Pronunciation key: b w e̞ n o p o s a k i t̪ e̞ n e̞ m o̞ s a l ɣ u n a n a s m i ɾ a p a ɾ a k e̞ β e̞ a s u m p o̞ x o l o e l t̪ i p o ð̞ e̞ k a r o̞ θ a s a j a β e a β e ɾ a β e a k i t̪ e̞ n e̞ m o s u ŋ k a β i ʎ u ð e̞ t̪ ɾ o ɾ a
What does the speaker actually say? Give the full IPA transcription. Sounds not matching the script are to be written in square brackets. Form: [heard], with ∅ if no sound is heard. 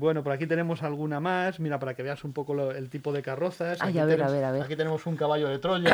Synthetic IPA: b w e̞ n o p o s a k i t̪ e̞ n e̞ m o̞ s a l ɣ u n a [m] a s m i ɾ a p a ɾ a k e̞ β e̞ a s u m p o̞ [k] o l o e l t̪ i p o ð̞ e̞ k a r o̞ θ a s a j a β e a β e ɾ a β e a k i t̪ e̞ n e̞ m o s u ŋ k a β [a] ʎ [o] ð e̞ t̪ ɾ o [ʎ] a